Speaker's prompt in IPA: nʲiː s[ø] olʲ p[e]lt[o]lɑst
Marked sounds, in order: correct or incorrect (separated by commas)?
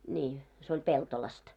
incorrect, correct, correct